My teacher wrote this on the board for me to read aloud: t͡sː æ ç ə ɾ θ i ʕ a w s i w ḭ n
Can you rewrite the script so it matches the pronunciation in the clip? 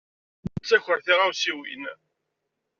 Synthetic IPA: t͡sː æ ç ə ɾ θ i ʁ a w s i w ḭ n